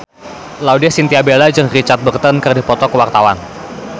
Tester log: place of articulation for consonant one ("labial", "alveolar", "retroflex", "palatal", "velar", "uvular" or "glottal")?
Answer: alveolar